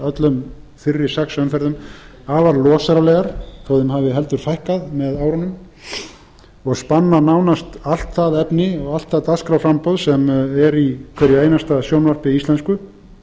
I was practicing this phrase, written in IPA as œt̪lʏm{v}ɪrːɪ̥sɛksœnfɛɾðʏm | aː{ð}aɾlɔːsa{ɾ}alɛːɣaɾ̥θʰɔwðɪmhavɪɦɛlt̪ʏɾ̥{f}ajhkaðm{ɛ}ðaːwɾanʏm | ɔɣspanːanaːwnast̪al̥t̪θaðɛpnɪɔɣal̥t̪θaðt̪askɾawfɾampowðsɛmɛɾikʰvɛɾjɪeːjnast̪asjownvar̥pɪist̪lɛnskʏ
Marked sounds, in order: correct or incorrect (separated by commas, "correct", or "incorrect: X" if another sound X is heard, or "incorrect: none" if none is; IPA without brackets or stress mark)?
incorrect: f, incorrect: v, correct, correct, correct